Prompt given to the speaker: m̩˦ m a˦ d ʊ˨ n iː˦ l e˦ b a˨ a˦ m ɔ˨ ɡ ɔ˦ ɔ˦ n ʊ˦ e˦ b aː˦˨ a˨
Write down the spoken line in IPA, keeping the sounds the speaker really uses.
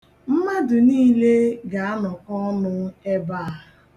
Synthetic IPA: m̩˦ m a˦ d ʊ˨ n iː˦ l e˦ ɡ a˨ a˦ n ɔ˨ k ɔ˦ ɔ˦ n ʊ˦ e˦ b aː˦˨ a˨